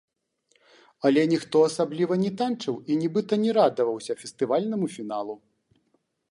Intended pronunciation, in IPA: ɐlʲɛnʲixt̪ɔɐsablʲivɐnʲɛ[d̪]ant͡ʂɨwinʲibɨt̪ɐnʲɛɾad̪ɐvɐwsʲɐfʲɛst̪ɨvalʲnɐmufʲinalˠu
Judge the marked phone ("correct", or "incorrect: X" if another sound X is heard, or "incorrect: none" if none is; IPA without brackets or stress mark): incorrect: t̪